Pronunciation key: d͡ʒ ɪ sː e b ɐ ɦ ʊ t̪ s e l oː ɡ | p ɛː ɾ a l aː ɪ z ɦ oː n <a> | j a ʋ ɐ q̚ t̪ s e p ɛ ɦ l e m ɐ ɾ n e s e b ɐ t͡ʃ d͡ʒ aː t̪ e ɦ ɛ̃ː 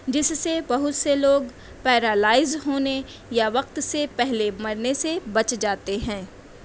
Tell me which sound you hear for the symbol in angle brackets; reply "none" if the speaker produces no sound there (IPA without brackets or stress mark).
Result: e